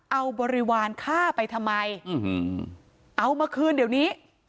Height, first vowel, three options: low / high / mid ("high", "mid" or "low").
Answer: low